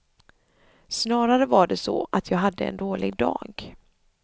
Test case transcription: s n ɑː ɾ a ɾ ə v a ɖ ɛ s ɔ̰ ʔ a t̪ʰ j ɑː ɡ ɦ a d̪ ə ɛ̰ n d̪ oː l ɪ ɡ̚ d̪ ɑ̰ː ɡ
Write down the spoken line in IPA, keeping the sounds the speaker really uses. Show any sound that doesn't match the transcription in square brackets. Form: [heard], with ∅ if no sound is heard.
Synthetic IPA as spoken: s n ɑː ɾ a ɾ ə v a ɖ ɛ s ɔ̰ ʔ a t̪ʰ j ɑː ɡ ɦ a [d̪ː] ə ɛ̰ n d̪ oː l ɪ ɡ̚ d̪ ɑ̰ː ɡ